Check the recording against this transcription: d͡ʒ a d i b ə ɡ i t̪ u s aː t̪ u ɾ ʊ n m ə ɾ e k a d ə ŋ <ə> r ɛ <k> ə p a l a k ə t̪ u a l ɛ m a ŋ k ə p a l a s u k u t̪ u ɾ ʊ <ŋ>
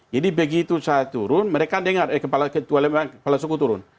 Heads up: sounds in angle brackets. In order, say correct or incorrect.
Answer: incorrect: a, correct, incorrect: n

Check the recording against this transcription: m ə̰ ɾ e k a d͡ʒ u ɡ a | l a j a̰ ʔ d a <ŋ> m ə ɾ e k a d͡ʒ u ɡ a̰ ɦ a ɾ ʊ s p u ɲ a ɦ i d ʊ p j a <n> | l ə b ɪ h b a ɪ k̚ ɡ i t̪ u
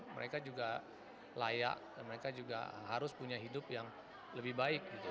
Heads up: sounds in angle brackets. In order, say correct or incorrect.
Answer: incorrect: n, incorrect: ŋ

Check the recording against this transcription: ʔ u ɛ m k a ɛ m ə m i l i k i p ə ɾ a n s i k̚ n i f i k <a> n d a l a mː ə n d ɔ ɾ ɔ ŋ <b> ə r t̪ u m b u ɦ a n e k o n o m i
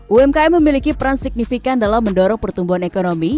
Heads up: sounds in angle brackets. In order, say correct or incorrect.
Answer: correct, incorrect: p

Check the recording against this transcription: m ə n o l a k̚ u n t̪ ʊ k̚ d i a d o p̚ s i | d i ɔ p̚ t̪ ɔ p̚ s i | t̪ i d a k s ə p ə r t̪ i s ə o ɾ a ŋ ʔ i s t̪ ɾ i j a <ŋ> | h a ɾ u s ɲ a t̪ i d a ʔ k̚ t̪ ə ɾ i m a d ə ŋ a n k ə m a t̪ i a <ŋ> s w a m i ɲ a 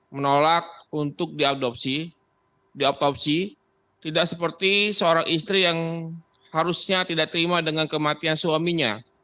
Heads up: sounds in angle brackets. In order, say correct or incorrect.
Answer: correct, incorrect: n

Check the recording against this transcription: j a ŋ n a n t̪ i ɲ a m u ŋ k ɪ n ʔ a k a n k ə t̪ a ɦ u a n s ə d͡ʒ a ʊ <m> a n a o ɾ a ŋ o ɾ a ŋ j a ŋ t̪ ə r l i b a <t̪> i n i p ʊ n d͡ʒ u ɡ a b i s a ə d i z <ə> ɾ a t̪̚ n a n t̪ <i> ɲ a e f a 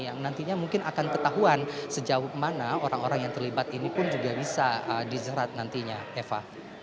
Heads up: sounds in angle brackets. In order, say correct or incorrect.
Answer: correct, correct, correct, correct

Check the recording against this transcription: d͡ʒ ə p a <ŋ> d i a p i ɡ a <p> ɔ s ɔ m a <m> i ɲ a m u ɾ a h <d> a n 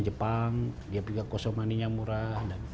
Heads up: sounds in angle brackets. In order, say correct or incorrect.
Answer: correct, incorrect: k, incorrect: n, correct

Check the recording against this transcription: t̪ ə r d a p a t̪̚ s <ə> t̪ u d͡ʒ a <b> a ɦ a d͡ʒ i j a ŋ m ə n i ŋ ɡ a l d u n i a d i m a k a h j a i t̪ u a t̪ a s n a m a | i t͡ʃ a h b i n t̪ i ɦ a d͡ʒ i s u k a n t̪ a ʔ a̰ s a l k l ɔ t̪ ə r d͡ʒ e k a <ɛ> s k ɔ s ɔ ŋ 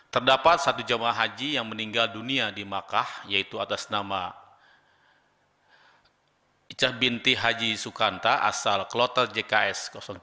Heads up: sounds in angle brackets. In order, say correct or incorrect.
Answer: incorrect: a, incorrect: m, correct

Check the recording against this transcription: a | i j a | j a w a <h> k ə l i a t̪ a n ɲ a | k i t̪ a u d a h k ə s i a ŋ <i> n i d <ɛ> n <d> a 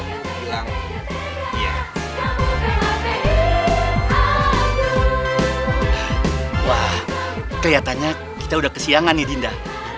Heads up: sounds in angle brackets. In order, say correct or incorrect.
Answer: correct, incorrect: a, incorrect: i, correct

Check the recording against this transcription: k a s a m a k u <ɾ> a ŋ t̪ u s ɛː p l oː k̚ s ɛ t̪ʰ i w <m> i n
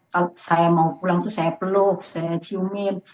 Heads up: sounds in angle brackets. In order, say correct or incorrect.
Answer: incorrect: l, correct

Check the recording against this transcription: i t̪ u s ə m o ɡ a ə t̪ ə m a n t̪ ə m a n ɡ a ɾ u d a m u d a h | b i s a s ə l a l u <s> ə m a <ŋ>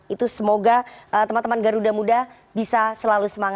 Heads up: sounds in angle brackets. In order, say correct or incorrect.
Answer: correct, correct

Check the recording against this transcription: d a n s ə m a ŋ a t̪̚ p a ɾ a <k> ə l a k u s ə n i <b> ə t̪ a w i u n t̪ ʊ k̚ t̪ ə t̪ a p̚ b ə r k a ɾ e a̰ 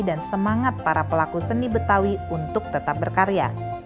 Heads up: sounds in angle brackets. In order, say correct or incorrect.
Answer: incorrect: p, correct

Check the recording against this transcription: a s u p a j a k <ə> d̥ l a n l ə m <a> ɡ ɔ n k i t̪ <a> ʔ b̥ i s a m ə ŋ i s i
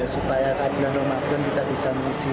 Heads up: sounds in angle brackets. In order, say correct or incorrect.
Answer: incorrect: a, correct, correct

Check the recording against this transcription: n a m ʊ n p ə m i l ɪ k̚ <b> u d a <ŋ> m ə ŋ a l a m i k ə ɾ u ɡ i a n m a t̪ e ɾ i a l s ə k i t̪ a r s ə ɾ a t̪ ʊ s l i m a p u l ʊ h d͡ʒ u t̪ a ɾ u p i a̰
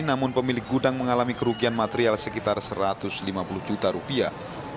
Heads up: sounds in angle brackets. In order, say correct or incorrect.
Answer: incorrect: ɡ, correct

